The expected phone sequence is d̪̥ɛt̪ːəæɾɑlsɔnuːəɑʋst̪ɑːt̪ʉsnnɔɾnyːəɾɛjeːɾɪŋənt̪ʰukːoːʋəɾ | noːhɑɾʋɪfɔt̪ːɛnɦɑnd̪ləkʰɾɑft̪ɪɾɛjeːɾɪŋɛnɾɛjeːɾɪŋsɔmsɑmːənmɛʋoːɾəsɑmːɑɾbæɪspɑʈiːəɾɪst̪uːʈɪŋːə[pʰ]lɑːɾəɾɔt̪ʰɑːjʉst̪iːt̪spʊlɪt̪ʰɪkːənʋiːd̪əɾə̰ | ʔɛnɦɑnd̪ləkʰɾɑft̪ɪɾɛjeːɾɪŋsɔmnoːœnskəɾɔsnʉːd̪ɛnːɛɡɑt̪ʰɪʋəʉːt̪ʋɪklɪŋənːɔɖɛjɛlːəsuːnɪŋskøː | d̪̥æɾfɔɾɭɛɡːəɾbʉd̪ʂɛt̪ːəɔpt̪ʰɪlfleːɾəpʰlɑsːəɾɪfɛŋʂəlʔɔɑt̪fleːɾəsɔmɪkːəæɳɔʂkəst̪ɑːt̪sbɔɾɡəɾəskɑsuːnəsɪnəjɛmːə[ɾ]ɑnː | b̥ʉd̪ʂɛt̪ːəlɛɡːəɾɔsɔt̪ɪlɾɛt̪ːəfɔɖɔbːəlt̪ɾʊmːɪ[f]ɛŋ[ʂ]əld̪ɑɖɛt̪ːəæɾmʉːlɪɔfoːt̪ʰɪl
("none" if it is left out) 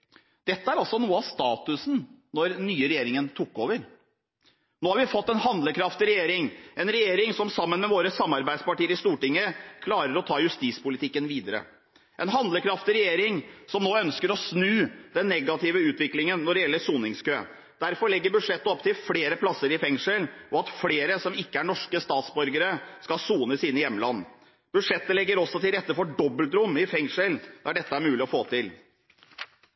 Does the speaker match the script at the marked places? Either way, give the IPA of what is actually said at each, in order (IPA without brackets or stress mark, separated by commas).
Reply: kʰ, l, f, ʂ